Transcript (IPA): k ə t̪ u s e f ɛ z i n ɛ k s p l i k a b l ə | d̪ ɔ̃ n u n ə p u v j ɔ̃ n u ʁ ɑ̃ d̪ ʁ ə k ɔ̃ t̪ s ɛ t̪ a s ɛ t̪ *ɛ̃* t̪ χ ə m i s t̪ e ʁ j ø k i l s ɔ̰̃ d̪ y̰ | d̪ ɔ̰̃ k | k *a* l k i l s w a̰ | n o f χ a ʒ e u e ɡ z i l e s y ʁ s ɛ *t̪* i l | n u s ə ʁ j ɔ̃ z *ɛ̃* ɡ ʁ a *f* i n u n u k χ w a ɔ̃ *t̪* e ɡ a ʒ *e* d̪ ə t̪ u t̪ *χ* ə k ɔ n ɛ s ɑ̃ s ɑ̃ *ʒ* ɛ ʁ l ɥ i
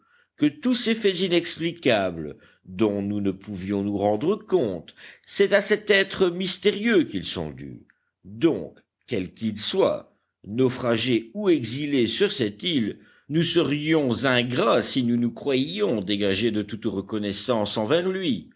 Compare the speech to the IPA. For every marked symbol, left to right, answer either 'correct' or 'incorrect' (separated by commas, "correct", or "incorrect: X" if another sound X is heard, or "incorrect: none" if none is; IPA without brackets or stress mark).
incorrect: ɛ, incorrect: ɛ, correct, correct, incorrect: s, incorrect: d̪, correct, incorrect: ʁ, incorrect: v